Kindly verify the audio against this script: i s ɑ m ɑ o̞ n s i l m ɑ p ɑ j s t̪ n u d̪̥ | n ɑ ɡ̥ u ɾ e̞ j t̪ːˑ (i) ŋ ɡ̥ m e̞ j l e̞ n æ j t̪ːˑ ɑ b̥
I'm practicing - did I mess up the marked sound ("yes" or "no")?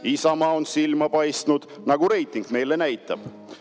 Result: no